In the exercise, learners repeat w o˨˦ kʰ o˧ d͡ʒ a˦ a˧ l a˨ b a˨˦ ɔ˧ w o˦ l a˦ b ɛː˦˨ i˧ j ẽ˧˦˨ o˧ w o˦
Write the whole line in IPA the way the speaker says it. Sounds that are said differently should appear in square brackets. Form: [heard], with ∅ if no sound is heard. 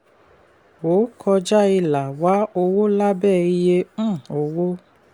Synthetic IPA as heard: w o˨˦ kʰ [ɔ˧] d͡ʒ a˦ [i˧] l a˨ [w] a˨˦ [o˧] w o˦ l a˦ b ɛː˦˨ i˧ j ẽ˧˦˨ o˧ w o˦